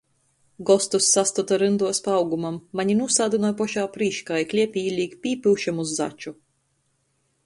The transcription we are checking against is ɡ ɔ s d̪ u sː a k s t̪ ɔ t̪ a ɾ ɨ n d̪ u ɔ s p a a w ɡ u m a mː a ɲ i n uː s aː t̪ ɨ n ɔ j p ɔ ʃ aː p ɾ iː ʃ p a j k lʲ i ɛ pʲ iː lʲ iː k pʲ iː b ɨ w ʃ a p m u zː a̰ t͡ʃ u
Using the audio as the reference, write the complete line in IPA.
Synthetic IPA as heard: ɡ ɔ s t̪ u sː a s t̪ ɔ t̪ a ɾ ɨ n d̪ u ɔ s p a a w ɡ u m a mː a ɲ i n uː s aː d̪ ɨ n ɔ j p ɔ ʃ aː p ɾ iː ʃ k a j k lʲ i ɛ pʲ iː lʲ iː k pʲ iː p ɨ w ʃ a m u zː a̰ t͡ʃ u